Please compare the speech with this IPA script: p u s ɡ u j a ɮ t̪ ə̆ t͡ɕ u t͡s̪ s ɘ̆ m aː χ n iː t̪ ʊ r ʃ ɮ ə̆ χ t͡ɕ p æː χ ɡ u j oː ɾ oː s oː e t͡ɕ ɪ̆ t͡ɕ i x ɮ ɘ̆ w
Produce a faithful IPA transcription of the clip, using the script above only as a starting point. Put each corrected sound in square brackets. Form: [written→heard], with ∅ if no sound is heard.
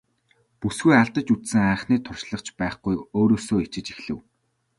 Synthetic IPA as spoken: p u s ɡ u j a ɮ t̪ ə̆ t͡ɕ u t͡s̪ s ɘ̆ [m→ŋ] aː χ n iː [t̪→t̪ʰ] ʊ r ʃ ɮ ə̆ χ t͡ɕ p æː χ ɡ u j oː ɾ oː s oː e t͡ɕ ɪ̆ t͡ɕ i x ɮ ɘ̆ w